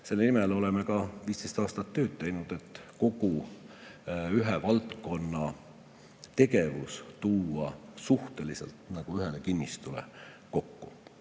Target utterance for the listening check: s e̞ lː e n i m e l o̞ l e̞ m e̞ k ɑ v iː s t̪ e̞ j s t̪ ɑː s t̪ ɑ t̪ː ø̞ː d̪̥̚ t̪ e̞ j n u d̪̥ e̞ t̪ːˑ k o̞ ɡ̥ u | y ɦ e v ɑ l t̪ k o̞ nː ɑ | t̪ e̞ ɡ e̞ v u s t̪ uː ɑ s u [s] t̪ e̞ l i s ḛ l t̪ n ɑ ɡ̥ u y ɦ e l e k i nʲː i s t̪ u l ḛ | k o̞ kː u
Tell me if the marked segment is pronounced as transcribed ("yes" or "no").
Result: no